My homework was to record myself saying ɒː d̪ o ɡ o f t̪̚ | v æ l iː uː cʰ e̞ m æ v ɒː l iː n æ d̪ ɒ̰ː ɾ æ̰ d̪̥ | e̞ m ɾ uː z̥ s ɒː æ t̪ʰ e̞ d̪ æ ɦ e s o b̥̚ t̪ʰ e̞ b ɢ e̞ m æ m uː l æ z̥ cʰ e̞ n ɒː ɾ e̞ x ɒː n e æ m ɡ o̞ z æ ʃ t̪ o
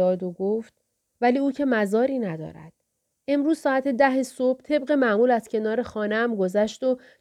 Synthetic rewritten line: ɒː d̪ o ɡ o f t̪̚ | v æ l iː uː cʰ e̞ m æ z ɒː ɾ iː n æ d̪ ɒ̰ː ɾ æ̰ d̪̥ | e̞ m ɾ uː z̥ s ɒː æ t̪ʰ e̞ d̪ æ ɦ e s o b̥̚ t̪ʰ e̞ b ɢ e̞ m æ m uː l æ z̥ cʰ e̞ n ɒː ɾ e̞ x ɒː n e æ m ɡ o̞ z æ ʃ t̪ o